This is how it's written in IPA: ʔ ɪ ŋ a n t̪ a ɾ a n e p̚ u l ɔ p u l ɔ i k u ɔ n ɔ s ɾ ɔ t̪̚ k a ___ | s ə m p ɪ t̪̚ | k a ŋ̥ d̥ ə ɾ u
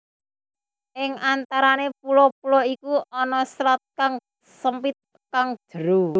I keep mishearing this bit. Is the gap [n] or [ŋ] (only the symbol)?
ŋ